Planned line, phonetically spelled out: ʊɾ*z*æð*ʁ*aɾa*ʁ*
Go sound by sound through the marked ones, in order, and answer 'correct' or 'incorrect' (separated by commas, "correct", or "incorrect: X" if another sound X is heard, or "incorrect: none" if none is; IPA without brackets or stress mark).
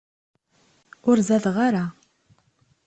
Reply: correct, correct, incorrect: none